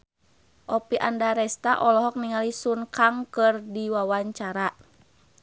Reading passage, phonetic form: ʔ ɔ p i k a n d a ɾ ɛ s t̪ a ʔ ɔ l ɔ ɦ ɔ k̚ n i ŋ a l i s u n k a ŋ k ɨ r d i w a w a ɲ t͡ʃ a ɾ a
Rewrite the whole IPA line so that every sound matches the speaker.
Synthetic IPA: ʔ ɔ p i ʔ a n d a ɾ ɛ s t̪ a ʔ ɔ l ɔ ɦ ɔ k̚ n i ŋ a l i s u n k a ŋ k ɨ r d i w a w a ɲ t͡ʃ a ɾ a